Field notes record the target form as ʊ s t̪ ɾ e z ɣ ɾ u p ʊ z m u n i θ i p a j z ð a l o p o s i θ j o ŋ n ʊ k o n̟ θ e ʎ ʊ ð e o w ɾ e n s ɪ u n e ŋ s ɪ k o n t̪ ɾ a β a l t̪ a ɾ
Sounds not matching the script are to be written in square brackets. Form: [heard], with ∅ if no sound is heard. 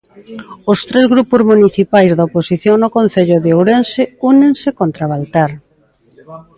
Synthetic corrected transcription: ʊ s t̪ ɾ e z ɣ ɾ u p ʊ z m u n i θ i p a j z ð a [∅] o p o s i θ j o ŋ n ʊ k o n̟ θ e ʎ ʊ ð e o w ɾ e n s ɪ u n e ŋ s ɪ k o n t̪ ɾ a β a l t̪ a ɾ